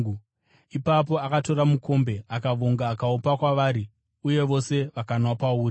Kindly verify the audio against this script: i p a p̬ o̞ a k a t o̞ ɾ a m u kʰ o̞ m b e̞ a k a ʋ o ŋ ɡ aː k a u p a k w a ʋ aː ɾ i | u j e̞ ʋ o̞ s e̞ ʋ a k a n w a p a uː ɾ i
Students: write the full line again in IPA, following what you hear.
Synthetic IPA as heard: i p a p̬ o̞ a k a t o̞ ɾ a m u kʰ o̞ m b e̞ a k a ʋ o ŋ ɡ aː k a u p a k w a ʋ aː ɾ i | u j e̞ ʋ o̞ s e̞ ʋ a k a n w a p a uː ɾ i